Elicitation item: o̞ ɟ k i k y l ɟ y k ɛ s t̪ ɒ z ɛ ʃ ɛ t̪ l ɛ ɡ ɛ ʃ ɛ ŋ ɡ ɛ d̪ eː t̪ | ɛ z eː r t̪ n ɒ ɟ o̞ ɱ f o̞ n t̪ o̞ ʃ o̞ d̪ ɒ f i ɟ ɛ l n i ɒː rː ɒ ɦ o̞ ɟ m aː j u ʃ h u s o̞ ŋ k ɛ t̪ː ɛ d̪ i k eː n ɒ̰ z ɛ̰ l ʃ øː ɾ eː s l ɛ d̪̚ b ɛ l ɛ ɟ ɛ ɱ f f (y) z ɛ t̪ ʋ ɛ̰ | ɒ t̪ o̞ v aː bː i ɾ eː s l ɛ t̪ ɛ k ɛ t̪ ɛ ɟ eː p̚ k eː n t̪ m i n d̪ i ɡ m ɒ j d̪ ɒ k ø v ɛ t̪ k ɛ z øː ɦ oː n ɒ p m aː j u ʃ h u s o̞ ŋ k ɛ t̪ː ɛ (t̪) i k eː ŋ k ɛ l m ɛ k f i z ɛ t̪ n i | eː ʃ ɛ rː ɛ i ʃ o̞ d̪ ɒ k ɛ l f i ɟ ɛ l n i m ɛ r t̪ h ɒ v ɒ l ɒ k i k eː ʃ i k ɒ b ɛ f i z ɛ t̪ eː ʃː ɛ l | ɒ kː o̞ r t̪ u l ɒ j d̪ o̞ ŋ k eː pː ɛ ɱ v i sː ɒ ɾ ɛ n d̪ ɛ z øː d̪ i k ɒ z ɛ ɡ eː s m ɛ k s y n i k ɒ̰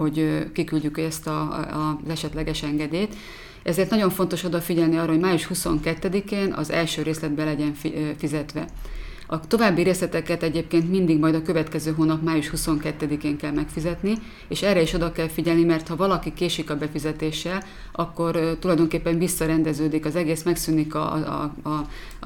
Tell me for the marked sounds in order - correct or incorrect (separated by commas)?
incorrect, incorrect